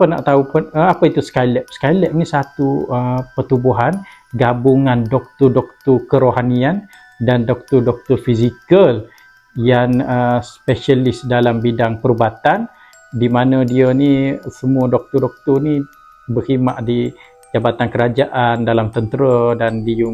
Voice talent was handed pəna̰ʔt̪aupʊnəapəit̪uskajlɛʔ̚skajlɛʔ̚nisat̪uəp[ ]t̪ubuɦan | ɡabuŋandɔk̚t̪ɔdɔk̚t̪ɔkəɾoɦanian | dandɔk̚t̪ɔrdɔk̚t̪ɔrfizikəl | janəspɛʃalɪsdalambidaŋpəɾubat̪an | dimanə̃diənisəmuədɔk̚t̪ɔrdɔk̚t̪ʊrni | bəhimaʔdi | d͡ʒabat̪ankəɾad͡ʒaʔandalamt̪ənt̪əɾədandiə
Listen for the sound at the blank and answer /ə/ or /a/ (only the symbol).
ə